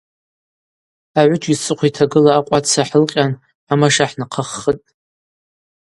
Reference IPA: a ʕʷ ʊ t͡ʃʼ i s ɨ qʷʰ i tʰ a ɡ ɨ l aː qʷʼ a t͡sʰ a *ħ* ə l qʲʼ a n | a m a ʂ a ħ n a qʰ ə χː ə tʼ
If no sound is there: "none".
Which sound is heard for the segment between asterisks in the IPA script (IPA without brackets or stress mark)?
ħ